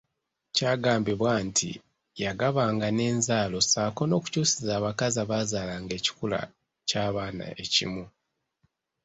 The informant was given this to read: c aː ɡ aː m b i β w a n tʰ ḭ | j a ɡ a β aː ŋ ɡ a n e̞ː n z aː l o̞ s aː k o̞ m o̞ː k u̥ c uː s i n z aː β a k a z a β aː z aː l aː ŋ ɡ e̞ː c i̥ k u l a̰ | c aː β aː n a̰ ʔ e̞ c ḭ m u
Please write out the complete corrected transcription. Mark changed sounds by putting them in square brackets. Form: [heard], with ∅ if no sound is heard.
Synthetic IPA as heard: c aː ɡ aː m b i β w a n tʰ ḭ | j a ɡ a β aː ŋ ɡ a n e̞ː n z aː l o̞ s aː k o̞ [n] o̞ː k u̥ c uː s i [∅] z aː β a k a z a β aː z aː l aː ŋ ɡ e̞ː c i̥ k u l a̰ | c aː β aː n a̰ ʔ e̞ c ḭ m u